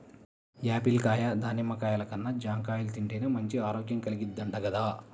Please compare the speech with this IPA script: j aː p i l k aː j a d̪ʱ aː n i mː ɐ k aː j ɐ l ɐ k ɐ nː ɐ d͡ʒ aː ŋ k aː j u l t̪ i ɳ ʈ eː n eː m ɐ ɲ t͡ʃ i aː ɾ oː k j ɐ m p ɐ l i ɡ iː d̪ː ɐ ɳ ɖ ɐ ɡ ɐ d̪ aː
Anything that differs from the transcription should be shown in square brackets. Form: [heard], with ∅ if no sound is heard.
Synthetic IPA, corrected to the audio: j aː p i l k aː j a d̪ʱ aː n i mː ɐ k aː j ɐ l ɐ k ɐ nː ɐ d͡ʒ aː ŋ k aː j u l t̪ i ɳ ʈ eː n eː m ɐ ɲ t͡ʃ i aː ɾ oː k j ɐ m [k] ɐ l i ɡ [i] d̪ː ɐ ɳ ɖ ɐ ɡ ɐ d̪ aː